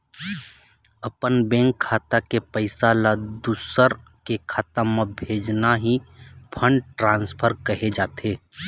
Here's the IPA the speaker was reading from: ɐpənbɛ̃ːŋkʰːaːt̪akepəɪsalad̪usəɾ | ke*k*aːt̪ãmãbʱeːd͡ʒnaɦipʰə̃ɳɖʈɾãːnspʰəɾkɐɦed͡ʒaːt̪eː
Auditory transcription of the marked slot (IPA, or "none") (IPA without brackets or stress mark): kʰ